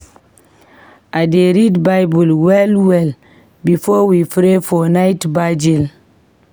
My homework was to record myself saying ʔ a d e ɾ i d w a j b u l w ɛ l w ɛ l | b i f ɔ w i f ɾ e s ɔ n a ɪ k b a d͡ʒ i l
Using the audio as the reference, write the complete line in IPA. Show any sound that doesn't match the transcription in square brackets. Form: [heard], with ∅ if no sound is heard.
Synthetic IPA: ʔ a d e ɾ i d [b] a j b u l w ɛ l w ɛ l | b i f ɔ w i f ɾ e [f] ɔ n a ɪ [t] b a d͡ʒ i l